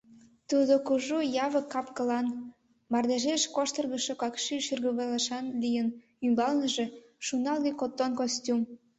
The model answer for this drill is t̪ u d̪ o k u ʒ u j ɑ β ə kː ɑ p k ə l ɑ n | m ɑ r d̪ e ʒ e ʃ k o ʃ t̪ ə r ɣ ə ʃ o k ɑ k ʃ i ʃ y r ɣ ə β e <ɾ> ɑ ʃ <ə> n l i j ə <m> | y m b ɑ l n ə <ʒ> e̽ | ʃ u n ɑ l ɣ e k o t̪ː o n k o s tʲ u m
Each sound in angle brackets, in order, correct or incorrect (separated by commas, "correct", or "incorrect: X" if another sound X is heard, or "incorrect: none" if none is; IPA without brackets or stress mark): incorrect: l, incorrect: ɑ, incorrect: n, correct